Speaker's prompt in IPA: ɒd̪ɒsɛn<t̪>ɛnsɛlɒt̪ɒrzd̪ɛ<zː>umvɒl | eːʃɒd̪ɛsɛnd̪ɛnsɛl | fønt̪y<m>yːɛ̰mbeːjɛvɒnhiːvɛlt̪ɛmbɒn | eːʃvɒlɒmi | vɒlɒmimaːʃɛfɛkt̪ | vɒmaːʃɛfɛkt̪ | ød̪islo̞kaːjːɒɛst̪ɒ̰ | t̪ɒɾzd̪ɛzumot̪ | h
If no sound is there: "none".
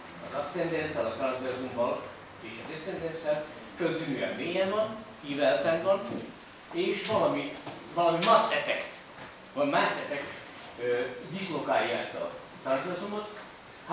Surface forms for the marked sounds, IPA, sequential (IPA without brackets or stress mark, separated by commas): d̪, z, n